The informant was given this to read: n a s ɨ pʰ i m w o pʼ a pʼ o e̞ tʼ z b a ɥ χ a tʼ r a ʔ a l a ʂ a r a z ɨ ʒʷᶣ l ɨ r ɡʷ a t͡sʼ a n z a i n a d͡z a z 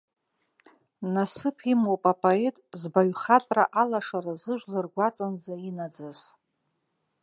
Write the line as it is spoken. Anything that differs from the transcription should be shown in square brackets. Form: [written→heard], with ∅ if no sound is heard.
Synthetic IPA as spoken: n a s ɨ pʰ i m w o pʼ a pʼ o e̞ tʼ z b a ɥ χ a tʼ r a ʔ a l a ʂ a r a z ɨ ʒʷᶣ l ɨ r ɡʷ a t͡sʼ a n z a i n a d͡z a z